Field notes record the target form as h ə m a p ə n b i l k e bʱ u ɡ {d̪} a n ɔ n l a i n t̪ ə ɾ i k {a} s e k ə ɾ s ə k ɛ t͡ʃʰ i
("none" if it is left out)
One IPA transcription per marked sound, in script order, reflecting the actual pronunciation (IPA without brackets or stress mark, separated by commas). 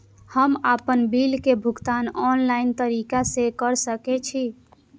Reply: t̪, a